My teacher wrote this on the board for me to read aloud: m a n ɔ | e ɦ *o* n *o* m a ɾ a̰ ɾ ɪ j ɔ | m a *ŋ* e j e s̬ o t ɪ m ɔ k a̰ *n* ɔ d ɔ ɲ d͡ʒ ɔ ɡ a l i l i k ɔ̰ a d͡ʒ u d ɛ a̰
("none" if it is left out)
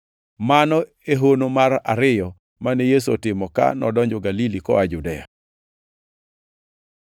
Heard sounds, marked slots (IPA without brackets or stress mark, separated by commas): o, o, n, n